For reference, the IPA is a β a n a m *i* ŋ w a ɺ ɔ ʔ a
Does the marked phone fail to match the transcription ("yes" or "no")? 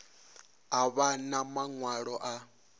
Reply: yes